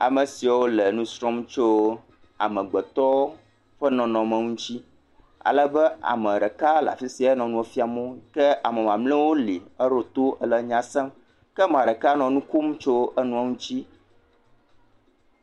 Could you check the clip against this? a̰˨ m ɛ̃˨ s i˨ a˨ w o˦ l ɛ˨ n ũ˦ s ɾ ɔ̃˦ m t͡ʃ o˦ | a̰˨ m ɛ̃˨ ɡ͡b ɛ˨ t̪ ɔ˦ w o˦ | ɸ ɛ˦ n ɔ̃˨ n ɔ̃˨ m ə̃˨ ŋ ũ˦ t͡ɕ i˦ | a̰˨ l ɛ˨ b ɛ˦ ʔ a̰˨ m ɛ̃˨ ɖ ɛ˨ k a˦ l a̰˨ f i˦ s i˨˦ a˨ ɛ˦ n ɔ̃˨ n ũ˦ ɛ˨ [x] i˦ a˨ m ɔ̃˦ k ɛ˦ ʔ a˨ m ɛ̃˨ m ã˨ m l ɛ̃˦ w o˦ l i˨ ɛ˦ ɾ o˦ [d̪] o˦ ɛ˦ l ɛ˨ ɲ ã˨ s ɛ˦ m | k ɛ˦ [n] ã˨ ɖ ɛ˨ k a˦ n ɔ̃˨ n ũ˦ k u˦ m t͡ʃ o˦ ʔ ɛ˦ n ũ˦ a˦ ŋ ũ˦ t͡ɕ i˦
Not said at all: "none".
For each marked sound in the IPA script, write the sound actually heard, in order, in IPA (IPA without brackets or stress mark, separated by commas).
f, t̪, m